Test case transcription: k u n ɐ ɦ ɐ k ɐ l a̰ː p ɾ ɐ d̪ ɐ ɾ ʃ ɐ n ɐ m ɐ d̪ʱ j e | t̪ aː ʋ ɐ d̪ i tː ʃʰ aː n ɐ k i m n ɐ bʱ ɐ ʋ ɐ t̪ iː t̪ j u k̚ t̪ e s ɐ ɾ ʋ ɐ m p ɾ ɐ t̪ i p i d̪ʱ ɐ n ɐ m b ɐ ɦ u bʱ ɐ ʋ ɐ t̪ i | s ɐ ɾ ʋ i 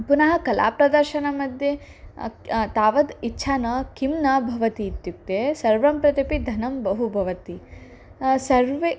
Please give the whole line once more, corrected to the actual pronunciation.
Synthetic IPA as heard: p u n ɐ ɦ ɐ k ɐ l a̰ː p ɾ ɐ d̪ ɐ ɾ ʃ ɐ n ɐ m ɐ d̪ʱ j e | t̪ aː ʋ ɐ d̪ i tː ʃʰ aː n ɐ k i m n ɐ bʱ ɐ ʋ ɐ t̪ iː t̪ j u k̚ t̪ e s ɐ ɾ ʋ ɐ m p ɾ ɐ t̪ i p i d̪ʱ ɐ n ɐ m b ɐ ɦ u bʱ ɐ ʋ ɐ t̪ i | s ɐ ɾ ʋ e